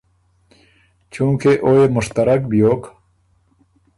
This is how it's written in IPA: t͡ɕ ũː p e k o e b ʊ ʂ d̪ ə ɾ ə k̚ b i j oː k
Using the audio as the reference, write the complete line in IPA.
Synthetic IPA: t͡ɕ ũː k e ʔ o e m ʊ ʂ t̪ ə ɾ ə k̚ b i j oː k